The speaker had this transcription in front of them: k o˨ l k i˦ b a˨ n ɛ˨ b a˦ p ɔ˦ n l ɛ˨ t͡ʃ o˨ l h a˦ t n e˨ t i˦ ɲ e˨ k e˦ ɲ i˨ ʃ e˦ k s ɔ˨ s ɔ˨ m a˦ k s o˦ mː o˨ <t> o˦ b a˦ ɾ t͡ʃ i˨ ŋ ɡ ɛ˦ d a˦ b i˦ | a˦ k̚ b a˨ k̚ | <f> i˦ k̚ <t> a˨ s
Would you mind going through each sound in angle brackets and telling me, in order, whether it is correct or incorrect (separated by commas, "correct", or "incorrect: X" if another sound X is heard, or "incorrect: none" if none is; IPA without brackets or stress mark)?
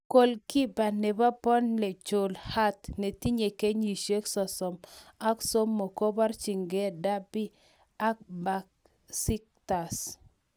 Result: incorrect: k, incorrect: s, correct